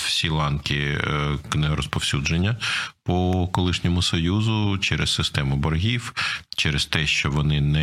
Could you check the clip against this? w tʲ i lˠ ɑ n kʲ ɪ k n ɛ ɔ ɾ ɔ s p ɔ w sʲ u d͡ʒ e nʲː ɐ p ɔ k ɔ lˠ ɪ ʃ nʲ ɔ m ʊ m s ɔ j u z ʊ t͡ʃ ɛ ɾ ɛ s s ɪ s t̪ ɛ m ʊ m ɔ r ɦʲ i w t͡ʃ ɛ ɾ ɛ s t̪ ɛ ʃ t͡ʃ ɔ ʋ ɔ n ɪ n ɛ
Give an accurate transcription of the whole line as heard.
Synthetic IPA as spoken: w sʲ i lˠ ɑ n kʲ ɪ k n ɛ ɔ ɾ ɔ s p ɔ w sʲ u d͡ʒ e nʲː ɐ p ɔ k ɔ lˠ ɪ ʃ nʲ ɔ m ʊ s ɔ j u z ʊ t͡ʃ ɛ ɾ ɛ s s ɪ s t̪ ɛ m ʊ b ɔ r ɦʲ i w t͡ʃ ɛ ɾ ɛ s t̪ ɛ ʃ t͡ʃ ɔ ʋ ɔ n ɪ n ɛ